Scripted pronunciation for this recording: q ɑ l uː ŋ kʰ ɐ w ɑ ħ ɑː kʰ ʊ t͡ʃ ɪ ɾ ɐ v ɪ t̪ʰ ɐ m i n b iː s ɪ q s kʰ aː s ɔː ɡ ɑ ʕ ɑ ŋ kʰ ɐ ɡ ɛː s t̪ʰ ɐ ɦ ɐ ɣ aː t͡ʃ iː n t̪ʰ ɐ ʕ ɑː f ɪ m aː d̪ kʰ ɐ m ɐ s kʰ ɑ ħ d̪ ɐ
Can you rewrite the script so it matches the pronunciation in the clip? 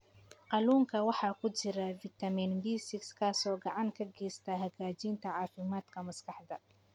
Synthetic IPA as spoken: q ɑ l uː ŋ kʰ ɐ w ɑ ħ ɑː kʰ ʊ t͡ʃ ɪ ɾ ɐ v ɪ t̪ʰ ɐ m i n b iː s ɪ k s kʰ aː s ɔː ɡ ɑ ʕ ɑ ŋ kʰ ɐ ɡ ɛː s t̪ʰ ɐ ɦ ɐ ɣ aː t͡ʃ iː n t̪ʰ ɐ ʕ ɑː f ɪ m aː d̪ kʰ ɐ m ɐ s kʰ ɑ ħ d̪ ɐ